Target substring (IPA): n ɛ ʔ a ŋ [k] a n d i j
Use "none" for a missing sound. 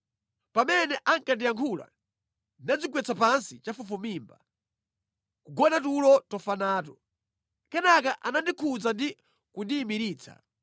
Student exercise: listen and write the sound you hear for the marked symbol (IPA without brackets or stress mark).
k